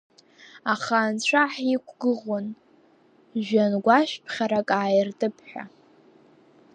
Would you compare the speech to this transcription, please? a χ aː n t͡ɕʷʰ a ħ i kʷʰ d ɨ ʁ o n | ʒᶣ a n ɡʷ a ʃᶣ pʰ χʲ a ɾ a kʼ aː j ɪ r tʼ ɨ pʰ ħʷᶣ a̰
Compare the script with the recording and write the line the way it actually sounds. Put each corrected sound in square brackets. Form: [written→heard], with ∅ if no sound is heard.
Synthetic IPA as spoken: a χ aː n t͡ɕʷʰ a ħ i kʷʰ [d→ɡ] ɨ ʁ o n | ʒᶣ a n ɡʷ a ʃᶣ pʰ χʲ a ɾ a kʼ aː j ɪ r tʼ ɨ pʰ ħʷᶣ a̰